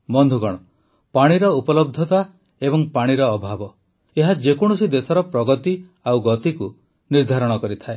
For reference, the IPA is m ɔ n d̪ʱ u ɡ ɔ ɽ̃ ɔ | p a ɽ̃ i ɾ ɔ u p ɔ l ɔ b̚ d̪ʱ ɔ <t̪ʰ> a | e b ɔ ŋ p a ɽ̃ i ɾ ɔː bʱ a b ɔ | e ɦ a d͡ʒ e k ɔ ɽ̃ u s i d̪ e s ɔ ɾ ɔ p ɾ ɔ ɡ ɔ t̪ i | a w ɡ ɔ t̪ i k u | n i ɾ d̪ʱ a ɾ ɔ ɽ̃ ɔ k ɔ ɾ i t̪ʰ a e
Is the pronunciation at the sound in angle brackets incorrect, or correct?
incorrect: t̪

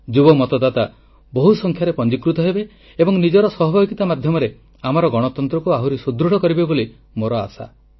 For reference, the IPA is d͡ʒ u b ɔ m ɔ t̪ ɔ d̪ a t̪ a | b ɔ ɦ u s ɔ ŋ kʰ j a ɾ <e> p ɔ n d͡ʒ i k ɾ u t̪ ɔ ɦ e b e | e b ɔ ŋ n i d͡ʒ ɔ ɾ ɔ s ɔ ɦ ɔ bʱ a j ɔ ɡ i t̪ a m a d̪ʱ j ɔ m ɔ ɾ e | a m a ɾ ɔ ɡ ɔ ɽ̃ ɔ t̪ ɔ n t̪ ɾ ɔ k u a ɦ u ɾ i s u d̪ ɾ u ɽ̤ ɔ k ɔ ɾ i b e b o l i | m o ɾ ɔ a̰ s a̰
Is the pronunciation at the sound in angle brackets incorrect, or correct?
correct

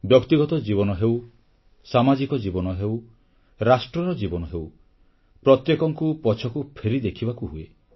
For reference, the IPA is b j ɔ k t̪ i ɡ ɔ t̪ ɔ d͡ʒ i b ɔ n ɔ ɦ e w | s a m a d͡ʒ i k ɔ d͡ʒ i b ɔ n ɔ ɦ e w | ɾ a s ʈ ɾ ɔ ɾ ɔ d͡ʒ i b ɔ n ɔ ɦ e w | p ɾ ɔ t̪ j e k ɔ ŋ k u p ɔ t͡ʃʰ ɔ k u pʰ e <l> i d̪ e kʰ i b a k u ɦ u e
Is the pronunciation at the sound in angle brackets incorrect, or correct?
incorrect: ɾ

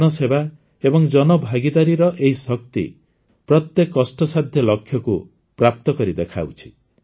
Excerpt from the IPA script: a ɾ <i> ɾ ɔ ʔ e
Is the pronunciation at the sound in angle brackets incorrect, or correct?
correct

